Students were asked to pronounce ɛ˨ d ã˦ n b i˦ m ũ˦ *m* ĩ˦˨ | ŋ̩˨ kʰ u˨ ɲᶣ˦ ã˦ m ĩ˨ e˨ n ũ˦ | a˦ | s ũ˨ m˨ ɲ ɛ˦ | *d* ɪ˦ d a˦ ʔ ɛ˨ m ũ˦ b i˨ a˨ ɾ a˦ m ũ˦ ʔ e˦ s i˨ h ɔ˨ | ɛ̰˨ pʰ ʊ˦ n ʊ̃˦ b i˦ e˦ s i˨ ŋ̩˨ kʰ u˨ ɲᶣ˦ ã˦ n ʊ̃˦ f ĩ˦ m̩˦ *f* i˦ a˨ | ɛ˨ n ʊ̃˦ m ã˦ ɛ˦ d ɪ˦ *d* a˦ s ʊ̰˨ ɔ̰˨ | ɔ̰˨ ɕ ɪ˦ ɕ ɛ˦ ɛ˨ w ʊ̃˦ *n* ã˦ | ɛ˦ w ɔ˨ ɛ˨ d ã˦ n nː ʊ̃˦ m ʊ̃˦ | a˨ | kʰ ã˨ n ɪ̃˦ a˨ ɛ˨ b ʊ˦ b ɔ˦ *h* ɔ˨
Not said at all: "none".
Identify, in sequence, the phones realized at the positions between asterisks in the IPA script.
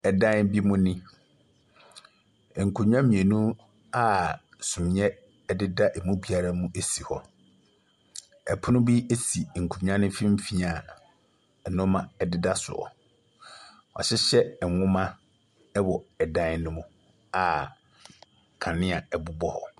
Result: n, d, f, d, m, h

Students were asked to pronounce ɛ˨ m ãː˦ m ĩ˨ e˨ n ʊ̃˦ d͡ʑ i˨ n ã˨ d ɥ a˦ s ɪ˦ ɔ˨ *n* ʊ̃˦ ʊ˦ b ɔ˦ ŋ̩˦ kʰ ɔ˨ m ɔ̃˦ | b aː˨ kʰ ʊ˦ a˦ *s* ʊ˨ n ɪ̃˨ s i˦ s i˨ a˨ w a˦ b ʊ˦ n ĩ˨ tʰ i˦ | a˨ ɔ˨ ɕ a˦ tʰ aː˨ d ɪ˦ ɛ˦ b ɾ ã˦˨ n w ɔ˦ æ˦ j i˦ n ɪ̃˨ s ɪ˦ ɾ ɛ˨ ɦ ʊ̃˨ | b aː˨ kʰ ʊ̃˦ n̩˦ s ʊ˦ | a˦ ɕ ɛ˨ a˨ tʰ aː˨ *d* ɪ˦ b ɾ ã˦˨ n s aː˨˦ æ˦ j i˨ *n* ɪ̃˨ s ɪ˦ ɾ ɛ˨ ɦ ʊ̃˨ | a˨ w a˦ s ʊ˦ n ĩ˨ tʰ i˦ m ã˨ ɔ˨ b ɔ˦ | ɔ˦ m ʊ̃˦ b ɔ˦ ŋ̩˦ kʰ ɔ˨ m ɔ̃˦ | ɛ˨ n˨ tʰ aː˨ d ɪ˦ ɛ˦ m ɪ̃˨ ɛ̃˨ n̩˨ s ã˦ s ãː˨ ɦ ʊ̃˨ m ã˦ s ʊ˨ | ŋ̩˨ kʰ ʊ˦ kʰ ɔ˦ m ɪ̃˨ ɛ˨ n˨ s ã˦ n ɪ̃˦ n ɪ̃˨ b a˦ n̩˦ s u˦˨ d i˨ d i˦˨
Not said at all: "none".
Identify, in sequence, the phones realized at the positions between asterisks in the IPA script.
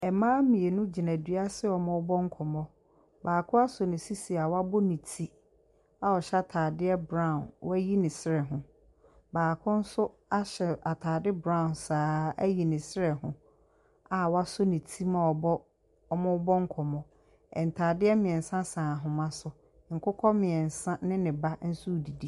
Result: m, s, d, n

